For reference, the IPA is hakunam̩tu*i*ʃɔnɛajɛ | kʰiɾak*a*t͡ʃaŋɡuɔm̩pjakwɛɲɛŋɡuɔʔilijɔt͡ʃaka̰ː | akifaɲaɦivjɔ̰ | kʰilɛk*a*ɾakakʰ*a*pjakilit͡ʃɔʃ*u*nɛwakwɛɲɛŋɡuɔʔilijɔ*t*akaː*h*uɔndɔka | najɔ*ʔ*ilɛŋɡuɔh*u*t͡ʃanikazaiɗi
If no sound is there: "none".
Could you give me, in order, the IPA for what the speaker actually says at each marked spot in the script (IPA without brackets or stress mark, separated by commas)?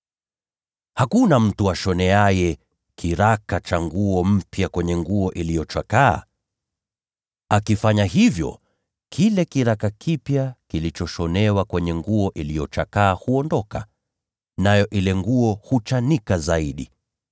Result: a, a, i, i, ɔ, t͡ʃ, h, ʔ, u